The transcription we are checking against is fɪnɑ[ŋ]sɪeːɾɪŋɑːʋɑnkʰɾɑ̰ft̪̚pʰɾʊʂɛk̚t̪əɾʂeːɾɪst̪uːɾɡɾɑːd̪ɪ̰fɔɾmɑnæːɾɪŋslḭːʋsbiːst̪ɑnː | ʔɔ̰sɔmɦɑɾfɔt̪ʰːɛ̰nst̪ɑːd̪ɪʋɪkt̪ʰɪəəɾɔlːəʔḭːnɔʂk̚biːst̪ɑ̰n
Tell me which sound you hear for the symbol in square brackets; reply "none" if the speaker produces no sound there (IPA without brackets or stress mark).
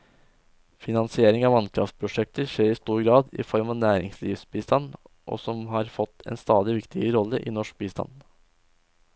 n